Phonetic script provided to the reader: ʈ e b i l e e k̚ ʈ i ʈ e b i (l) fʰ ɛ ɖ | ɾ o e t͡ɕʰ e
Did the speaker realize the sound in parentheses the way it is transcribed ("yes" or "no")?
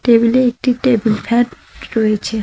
yes